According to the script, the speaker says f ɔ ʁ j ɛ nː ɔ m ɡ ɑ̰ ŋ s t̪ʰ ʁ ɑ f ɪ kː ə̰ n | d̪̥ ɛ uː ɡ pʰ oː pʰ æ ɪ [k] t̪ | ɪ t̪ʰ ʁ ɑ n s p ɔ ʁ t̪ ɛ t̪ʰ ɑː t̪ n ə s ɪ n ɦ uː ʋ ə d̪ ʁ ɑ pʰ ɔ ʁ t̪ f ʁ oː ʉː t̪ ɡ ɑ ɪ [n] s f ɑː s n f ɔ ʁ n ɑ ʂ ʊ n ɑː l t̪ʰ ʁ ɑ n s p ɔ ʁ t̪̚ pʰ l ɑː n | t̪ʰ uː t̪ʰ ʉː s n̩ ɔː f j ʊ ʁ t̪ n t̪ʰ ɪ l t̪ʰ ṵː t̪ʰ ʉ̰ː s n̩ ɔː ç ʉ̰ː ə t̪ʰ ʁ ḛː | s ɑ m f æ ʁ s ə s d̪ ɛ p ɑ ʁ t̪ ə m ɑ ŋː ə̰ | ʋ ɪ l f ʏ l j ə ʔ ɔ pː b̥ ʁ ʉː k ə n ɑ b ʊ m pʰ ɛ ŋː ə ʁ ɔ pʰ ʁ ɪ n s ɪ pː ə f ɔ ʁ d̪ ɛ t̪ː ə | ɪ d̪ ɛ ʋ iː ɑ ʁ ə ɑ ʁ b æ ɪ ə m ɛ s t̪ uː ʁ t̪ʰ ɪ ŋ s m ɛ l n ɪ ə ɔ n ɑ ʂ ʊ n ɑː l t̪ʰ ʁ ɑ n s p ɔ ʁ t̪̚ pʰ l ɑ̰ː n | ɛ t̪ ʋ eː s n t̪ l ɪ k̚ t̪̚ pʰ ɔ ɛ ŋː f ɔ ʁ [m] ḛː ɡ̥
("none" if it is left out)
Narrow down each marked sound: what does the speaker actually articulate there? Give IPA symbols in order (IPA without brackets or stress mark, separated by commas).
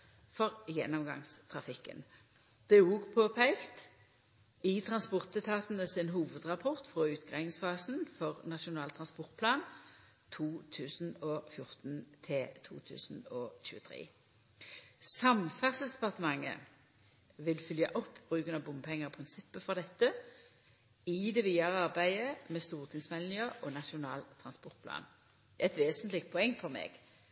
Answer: k, ŋ, m